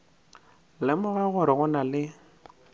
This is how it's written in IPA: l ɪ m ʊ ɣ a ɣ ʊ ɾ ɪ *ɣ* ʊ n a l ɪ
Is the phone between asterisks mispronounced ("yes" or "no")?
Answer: no